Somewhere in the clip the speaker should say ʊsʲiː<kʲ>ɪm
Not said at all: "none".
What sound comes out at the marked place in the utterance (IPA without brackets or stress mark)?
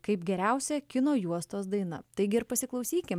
kʲ